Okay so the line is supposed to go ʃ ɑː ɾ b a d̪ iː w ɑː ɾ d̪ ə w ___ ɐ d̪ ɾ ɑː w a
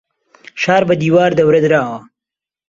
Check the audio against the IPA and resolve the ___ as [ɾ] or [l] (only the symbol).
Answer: ɾ